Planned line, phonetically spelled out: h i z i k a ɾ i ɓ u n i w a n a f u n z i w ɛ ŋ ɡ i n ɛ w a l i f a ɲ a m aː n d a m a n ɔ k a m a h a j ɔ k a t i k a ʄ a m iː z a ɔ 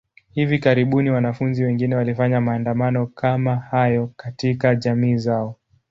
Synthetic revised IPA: h i v i k a ɾ i ɓ u n i w a n a f u n z i w ɛ ŋ ɡ i n ɛ w a l i f a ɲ a m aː n d a m a n ɔ k a m a h a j ɔ k a t i k a ʄ a m iː z a ɔ